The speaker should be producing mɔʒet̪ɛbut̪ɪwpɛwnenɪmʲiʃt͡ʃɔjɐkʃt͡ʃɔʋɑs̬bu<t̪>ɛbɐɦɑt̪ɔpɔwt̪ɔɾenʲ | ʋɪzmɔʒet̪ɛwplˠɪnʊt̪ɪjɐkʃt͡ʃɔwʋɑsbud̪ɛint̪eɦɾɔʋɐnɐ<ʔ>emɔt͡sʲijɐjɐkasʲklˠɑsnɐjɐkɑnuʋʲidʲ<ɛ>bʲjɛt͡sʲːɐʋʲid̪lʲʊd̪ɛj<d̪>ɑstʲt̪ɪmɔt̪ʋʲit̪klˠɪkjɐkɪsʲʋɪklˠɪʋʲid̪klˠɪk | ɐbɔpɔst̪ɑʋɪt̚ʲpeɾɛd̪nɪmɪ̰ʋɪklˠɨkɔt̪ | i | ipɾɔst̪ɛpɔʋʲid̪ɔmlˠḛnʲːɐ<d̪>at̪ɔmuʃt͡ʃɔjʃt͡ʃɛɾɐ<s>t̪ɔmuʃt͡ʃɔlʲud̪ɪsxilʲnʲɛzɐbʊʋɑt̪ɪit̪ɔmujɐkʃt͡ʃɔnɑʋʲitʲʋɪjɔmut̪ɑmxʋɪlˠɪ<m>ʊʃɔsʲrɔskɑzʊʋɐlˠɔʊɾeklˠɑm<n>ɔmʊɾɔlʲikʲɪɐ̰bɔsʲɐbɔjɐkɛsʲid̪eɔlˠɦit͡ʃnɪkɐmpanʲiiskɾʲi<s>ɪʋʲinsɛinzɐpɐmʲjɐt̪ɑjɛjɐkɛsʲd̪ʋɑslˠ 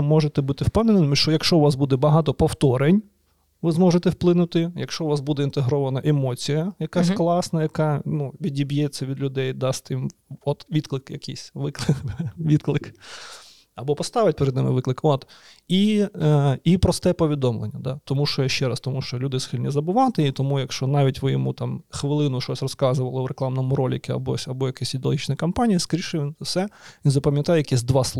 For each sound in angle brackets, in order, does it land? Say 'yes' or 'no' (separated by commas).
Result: no, yes, no, yes, yes, yes, no, yes, no